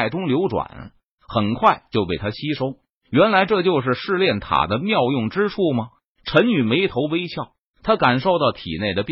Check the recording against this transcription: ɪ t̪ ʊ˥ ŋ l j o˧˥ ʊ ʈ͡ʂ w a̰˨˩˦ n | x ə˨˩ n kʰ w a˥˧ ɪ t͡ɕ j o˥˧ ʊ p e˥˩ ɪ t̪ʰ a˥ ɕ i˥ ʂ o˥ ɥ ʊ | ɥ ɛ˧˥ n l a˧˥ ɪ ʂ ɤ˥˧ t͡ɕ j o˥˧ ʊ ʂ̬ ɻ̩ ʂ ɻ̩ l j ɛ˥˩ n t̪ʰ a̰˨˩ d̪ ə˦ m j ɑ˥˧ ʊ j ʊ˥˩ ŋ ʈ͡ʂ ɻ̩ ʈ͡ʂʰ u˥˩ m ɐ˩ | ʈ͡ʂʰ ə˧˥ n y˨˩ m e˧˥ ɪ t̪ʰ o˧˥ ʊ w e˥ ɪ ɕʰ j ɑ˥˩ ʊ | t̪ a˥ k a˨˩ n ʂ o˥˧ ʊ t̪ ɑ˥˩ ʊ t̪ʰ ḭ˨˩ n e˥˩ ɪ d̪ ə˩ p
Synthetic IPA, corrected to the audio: ɪ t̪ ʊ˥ ŋ l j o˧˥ ʊ ʈ͡ʂ w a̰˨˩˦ n | x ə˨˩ n kʰ w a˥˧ ɪ t͡ɕ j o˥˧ ʊ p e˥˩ ɪ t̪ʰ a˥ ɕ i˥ ʂ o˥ ʊ | ɥ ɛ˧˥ n l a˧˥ ɪ ʈ͡ʂ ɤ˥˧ t͡ɕ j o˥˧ ʊ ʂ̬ ɻ̩ ʂ ɻ̩ l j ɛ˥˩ n t̪ʰ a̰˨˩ d̪ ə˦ m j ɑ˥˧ ʊ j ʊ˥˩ ŋ ʈ͡ʂ ɻ̩ ʈ͡ʂʰ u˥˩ m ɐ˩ | ʈ͡ʂʰ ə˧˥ n y˨˩ m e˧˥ ɪ t̪ʰ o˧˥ ʊ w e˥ ɪ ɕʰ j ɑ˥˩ ʊ | t̪ʰ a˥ k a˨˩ n ʂ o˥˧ ʊ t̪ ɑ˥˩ ʊ t̪ʰ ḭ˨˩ n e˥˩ ɪ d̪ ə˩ p